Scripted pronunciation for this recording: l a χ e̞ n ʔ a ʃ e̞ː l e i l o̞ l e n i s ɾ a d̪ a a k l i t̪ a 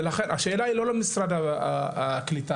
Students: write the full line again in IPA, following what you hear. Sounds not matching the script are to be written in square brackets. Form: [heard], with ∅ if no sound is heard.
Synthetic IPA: l a χ e̞ n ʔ a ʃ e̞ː l [a] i l o̞ l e [m] i s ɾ a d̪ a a k l i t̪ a